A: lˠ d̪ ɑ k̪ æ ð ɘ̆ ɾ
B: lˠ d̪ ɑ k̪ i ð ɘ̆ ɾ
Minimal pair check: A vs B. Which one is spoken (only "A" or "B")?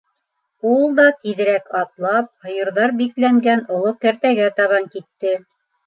B